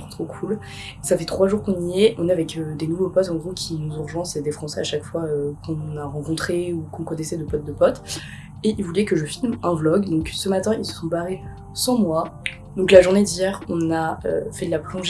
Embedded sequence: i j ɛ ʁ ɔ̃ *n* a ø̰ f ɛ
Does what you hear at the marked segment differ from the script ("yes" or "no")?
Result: no